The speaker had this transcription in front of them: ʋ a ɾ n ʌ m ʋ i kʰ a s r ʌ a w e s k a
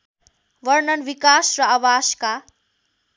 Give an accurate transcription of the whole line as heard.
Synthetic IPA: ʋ ʌ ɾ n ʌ n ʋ i k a s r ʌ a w a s k a